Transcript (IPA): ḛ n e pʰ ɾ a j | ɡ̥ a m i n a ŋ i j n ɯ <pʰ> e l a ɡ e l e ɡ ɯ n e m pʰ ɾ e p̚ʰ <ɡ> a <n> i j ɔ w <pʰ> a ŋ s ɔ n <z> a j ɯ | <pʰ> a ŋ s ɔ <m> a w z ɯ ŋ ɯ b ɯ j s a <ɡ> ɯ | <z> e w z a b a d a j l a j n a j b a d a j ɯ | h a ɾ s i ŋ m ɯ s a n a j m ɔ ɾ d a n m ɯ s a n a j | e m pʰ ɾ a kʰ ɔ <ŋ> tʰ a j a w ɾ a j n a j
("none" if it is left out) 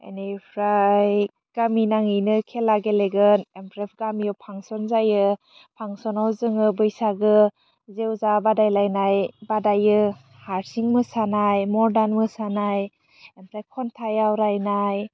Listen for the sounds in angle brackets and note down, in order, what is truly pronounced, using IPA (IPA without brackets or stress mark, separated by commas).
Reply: kʰ, ɡ, m, pʰ, z, pʰ, n, ɡ, z, n